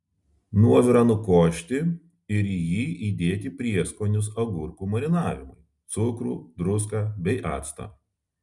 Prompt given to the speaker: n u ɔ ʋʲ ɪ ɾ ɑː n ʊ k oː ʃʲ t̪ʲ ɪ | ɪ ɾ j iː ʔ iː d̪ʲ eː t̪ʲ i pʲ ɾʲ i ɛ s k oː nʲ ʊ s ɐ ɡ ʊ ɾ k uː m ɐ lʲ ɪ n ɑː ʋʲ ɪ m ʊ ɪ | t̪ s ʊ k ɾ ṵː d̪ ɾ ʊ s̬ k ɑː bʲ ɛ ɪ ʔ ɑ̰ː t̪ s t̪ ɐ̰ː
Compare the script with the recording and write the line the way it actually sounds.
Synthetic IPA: n u ɔ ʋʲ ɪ ɾ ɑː n ʊ k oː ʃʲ t̪ʲ ɪ | ɪ ɾ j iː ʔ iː d̪ʲ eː t̪ʲ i pʲ ɾʲ i ɛ s k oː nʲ ʊ s ɐ ɡ ʊ ɾ k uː m ɐ ɾʲ ɪ n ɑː ʋʲ ɪ m ʊ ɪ | t̪ s ʊ k ɾ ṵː d̪ ɾ ʊ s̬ k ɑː bʲ ɛ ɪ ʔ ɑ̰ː t̪ s t̪ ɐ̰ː